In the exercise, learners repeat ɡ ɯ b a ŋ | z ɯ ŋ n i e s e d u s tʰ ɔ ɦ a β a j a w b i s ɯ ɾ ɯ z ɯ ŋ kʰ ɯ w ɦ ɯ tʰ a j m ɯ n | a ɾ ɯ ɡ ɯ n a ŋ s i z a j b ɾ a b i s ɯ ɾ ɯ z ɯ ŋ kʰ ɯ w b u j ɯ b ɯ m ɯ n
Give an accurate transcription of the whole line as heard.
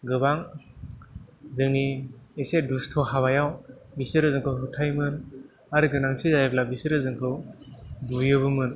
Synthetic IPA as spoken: ɡ ɯ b a ŋ | z ɯ ŋ n i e s e d u s tʰ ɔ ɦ a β a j a w b i s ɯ ɾ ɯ z ɯ ŋ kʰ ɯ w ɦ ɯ tʰ a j m ɯ n | a ɾ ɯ ɡ ɯ n a ŋ s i z a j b l a b i s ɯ ɾ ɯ z ɯ ŋ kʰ ɯ w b u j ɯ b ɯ m ɯ n